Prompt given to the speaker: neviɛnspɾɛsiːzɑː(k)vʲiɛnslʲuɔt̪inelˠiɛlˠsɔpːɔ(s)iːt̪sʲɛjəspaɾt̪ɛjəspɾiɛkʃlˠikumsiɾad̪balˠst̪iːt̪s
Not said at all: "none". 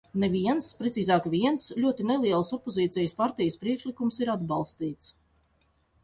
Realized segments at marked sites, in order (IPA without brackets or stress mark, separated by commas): k, z